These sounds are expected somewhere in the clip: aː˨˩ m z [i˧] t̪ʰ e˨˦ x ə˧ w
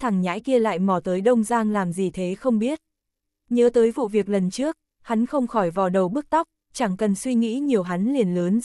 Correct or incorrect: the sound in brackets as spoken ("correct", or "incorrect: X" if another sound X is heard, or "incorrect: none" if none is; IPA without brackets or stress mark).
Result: incorrect: i˨˩